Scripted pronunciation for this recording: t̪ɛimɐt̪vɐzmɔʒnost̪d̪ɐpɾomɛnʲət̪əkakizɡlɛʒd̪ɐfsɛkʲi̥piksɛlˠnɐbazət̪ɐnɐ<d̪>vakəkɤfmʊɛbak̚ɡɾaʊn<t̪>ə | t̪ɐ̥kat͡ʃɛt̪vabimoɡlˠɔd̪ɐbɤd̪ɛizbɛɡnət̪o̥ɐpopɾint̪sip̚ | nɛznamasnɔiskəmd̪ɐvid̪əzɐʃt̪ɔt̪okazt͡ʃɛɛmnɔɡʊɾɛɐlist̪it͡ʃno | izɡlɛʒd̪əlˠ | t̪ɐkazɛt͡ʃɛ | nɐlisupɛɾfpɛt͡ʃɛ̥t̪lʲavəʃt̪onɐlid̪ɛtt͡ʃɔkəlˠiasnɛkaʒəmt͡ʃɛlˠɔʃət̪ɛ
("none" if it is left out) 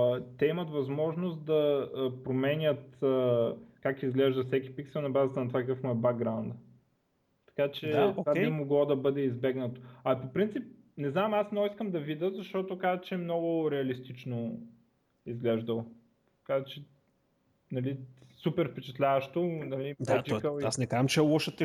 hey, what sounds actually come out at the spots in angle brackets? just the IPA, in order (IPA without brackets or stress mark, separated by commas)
t̪, d̪